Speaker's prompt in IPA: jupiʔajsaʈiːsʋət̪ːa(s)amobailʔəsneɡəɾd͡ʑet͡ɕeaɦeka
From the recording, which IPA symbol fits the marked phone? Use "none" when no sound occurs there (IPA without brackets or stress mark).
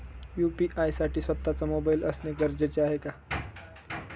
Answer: t͡s